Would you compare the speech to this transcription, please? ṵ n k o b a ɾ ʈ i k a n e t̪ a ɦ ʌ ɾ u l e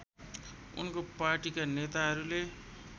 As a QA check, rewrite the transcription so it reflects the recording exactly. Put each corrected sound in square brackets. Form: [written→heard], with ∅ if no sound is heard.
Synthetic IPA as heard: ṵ n k o [b→p] a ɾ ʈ i k a n e t̪ a ɦ ʌ ɾ u l e